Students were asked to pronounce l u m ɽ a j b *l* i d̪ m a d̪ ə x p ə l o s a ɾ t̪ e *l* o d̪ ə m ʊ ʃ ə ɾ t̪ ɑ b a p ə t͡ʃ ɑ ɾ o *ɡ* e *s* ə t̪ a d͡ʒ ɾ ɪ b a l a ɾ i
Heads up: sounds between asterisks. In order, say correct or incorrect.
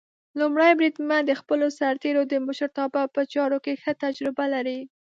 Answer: incorrect, incorrect, incorrect, incorrect

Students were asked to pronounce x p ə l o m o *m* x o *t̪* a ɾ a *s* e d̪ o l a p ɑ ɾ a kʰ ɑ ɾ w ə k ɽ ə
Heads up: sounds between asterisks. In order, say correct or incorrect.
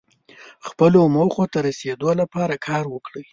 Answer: incorrect, correct, correct

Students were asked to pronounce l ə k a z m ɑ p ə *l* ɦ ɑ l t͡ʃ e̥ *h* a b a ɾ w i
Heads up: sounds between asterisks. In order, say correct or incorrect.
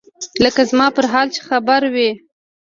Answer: incorrect, incorrect

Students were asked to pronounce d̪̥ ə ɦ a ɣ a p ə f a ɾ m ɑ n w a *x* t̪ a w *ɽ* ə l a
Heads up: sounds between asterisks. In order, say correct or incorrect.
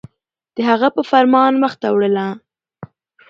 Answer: correct, correct

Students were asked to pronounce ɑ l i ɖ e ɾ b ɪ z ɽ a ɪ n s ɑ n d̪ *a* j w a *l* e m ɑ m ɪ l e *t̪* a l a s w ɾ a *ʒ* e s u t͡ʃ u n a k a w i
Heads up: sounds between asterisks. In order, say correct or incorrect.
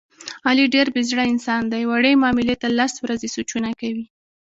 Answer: correct, incorrect, correct, incorrect

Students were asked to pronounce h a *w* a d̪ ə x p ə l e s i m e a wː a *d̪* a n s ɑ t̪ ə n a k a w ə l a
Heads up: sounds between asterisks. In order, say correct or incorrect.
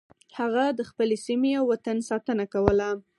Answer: incorrect, incorrect

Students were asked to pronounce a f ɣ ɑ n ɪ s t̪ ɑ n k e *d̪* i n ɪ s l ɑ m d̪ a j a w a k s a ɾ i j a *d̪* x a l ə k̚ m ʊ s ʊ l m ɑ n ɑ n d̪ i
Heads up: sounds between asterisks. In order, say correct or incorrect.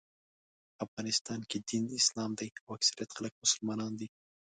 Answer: correct, incorrect

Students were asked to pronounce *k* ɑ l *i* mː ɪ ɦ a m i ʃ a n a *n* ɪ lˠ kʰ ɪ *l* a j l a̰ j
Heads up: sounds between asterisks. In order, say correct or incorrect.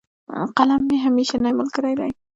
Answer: incorrect, incorrect, incorrect, incorrect

